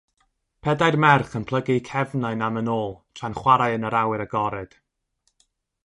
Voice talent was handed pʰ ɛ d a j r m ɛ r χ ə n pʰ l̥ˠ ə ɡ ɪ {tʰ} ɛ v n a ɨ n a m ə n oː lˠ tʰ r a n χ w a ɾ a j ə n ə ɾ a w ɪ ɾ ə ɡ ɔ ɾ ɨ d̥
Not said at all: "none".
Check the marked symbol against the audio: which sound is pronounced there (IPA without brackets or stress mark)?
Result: kʰ